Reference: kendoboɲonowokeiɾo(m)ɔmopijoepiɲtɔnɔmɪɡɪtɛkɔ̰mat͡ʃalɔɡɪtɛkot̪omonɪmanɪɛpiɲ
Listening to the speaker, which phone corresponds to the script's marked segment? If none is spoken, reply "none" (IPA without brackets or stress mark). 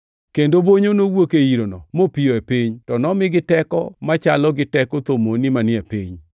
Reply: n